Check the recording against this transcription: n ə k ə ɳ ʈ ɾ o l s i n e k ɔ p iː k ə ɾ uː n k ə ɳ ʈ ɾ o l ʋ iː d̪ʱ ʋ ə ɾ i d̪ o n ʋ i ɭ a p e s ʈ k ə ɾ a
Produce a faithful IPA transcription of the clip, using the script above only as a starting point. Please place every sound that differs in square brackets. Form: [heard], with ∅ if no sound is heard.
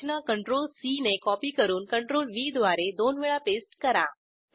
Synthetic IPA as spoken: n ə k ə ɳ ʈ ɾ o l s i n e k ɔ p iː k ə ɾ uː n k ə ɳ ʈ ɾ o l ʋ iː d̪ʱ ʋ [a] ɾ [e] d̪ o n ʋ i ɭ a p e s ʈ k ə ɾ a